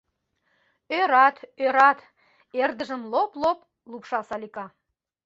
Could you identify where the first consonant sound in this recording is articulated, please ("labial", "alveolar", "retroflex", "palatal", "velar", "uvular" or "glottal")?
alveolar